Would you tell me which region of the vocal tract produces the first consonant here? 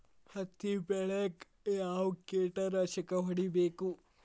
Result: throat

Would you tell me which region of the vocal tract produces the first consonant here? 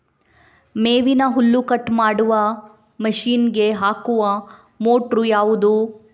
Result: lips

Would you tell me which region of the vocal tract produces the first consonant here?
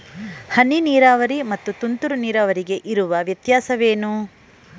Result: throat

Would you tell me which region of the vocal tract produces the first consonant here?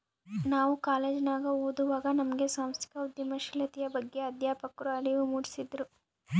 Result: tongue tip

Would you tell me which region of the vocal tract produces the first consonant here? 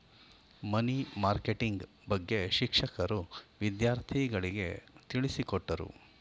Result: lips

